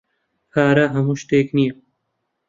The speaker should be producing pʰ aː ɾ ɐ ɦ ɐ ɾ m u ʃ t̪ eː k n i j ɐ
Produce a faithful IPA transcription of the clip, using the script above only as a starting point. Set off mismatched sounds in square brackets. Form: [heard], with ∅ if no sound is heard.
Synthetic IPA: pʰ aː ɾ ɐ ɦ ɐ [∅] m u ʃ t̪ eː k n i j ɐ